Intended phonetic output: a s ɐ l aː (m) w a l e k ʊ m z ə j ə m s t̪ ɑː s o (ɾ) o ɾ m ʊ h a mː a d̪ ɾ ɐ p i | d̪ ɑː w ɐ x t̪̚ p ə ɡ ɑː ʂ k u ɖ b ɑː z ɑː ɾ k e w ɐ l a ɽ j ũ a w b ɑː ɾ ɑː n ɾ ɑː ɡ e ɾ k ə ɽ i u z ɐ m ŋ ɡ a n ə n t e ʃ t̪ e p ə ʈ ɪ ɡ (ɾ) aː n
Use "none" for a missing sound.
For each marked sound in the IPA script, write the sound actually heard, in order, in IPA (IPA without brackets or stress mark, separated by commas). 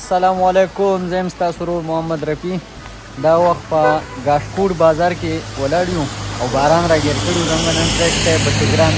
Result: m, ɾ, ɾ